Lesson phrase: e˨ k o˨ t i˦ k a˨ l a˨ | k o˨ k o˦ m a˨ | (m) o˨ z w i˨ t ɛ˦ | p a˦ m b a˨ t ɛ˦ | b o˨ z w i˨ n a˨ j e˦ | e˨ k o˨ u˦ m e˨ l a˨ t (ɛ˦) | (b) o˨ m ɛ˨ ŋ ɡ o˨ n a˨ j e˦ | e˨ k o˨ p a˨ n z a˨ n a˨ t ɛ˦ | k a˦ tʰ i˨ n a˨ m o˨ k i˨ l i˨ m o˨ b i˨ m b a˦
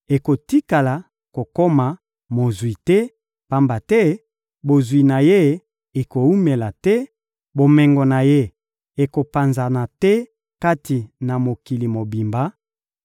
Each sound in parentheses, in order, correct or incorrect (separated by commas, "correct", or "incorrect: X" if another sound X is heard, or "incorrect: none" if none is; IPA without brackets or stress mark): correct, correct, correct